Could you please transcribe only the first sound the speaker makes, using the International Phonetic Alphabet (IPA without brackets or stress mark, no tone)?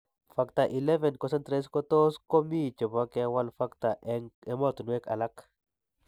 f